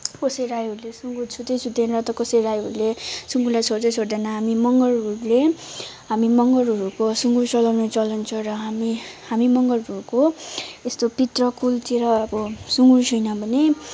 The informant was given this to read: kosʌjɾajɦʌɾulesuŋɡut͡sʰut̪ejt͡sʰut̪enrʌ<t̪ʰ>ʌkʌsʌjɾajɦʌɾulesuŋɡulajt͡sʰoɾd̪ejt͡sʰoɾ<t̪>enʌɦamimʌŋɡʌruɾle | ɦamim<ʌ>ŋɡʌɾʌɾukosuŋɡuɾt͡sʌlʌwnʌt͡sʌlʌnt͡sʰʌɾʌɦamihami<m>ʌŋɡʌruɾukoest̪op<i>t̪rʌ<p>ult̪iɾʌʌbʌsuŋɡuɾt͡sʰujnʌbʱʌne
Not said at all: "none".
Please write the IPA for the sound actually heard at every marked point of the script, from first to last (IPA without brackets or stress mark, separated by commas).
t̪, d̪, ʌ, m, i, k